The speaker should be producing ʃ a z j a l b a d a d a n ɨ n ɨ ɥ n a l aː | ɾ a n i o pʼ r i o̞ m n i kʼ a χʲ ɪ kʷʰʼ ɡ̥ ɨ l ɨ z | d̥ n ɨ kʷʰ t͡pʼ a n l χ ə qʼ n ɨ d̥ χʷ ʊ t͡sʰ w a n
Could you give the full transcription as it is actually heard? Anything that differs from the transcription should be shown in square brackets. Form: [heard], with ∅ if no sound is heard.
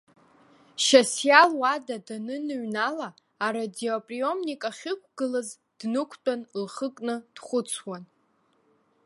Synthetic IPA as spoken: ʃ a [s] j a l [w] a d a d a n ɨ n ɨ ɥ n a l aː | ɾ a [d] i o pʼ r i o̞ m n i kʼ a χʲ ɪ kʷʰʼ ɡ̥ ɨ l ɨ z | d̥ n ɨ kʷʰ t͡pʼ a n l χ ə [kʼ] n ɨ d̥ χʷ ʊ t͡sʰ w a n